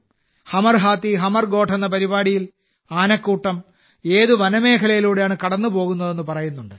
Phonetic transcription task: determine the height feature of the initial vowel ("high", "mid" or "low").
low